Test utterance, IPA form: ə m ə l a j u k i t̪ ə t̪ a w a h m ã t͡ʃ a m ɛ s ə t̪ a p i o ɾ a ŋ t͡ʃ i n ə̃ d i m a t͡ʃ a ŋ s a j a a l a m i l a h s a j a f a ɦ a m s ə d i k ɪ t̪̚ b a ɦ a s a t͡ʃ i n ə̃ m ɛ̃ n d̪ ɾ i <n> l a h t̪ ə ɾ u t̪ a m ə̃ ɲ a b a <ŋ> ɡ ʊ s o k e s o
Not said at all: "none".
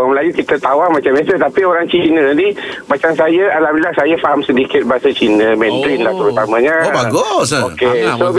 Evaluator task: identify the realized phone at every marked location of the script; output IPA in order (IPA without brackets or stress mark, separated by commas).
n, none